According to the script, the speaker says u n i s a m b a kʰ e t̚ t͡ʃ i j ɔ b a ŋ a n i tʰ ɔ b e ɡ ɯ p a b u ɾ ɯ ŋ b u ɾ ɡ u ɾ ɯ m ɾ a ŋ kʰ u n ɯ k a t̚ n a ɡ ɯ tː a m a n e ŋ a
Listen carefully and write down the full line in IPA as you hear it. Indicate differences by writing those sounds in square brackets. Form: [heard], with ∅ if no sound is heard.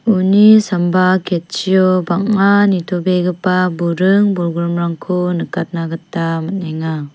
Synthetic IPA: u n i s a m b a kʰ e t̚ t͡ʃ i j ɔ b a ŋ a n i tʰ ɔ b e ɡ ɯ p a b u ɾ ɯ ŋ b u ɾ ɡ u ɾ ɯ m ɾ a ŋ kʰ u n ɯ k a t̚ n a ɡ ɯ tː a m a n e ŋ a